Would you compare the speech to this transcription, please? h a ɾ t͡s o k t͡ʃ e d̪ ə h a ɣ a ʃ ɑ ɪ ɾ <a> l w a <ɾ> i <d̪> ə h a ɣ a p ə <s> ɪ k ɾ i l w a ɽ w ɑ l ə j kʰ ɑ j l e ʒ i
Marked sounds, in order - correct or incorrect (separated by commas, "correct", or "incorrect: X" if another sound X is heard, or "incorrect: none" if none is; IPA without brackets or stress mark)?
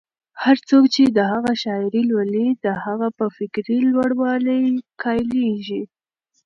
incorrect: i, incorrect: l, correct, incorrect: f